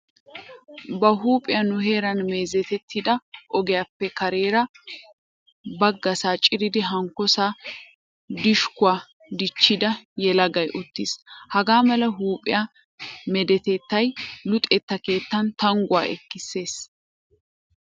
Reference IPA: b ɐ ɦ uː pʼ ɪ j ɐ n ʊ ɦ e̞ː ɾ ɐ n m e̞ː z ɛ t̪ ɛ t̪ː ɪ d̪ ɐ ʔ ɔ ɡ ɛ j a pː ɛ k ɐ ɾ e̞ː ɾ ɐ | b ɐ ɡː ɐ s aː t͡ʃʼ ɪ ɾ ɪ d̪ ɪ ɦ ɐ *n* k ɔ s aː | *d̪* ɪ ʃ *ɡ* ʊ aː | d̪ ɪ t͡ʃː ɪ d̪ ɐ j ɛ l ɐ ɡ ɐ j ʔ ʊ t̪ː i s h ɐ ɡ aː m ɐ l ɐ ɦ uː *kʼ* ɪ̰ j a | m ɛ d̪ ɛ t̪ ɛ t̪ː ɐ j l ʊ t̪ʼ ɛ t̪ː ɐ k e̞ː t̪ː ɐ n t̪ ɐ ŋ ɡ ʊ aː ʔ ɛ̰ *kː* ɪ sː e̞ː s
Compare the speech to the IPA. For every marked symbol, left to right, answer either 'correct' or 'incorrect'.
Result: incorrect: ŋ, correct, incorrect: k, incorrect: pʼ, correct

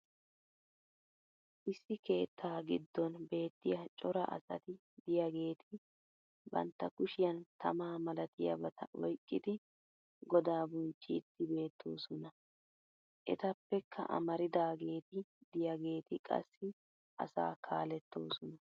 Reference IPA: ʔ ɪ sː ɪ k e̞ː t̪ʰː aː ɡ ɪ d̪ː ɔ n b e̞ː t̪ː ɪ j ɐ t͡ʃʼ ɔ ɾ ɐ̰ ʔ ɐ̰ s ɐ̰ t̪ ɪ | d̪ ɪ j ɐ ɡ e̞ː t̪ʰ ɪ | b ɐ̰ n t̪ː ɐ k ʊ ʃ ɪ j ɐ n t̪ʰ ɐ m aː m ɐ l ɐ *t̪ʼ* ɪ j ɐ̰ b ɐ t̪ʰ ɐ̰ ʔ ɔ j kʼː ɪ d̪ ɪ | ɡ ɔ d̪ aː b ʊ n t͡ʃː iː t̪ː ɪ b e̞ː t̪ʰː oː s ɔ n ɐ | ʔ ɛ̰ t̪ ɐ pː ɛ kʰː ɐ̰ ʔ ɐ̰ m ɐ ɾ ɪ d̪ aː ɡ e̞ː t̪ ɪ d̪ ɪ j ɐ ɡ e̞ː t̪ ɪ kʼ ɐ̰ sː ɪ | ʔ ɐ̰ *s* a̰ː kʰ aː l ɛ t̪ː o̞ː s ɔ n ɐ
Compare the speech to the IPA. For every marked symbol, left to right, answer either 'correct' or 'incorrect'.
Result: incorrect: t̪, correct

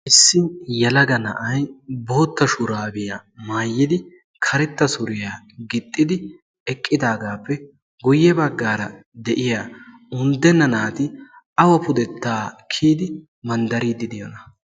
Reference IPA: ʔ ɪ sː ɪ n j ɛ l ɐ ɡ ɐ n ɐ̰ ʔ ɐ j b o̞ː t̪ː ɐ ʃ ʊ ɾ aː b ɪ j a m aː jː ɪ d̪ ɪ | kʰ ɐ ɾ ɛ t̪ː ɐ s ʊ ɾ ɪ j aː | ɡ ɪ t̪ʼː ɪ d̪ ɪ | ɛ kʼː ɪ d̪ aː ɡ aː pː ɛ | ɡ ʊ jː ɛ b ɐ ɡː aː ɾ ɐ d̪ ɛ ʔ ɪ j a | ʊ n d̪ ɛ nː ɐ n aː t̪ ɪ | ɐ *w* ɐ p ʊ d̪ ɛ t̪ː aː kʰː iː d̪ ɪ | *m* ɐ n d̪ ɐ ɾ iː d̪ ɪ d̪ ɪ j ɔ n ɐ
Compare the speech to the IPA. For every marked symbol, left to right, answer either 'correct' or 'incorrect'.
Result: correct, correct

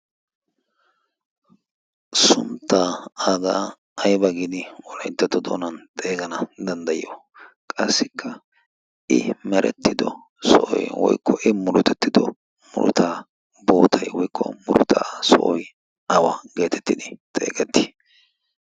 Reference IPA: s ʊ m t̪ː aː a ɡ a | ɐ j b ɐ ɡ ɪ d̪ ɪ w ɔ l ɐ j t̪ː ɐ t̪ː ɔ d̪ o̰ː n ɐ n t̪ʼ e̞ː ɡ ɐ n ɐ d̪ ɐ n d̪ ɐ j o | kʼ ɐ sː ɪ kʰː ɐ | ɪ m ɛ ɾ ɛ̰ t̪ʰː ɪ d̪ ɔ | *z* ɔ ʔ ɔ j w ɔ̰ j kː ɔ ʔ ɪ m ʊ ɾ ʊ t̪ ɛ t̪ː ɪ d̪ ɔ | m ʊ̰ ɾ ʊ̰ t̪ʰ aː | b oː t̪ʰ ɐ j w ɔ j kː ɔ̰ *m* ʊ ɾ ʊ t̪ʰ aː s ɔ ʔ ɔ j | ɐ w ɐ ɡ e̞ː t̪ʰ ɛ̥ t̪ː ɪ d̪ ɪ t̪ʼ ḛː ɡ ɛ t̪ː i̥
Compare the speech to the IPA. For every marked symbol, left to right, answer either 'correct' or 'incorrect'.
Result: incorrect: s, correct

